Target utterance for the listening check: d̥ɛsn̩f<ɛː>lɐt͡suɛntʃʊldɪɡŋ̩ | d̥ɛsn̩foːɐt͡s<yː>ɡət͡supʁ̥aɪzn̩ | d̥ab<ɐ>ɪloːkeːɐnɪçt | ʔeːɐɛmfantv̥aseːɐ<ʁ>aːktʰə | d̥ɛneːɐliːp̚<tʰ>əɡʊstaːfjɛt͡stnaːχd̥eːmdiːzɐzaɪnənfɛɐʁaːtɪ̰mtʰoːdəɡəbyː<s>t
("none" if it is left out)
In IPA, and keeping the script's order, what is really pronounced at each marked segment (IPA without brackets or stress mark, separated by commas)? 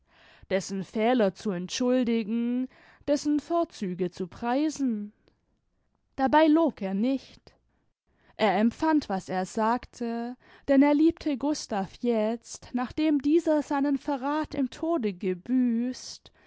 ɛː, yː, a, z, tʰ, s